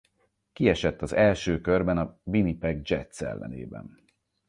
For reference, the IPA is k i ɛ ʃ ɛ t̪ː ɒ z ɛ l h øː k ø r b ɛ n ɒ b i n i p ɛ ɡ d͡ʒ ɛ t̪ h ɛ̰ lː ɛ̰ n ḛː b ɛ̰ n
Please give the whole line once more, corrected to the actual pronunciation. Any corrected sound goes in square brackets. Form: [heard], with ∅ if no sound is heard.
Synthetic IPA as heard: k i ɛ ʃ ɛ t̪ː ɒ z ɛ l [ʃ] øː k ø r b ɛ n ɒ b i n i p ɛ ɡ d͡ʒ ɛ t̪ [s] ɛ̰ lː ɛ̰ n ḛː b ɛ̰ n